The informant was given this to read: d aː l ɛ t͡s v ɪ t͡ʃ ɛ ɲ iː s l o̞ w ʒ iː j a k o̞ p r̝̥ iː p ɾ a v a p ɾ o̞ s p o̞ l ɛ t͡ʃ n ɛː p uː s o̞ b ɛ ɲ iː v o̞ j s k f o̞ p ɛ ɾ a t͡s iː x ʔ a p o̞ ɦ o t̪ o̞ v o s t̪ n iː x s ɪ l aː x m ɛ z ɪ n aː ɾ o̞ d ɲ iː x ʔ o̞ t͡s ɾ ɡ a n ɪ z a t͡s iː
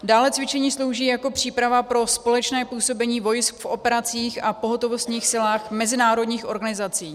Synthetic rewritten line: d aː l ɛ t͡s v ɪ t͡ʃ ɛ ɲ iː s l o̞ w ʒ iː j a k o̞ p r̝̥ iː p ɾ a v a p ɾ o̞ s p o̞ l ɛ t͡ʃ n ɛː p uː s o̞ b ɛ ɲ iː v o̞ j s k f o̞ p ɛ ɾ a t͡s iː x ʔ a p o̞ ɦ o t̪ o̞ v o s t̪ ɲ iː x s ɪ l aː x m ɛ z ɪ n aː ɾ o̞ d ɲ iː x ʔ o̞ ɾ ɡ a n ɪ z a t͡s iː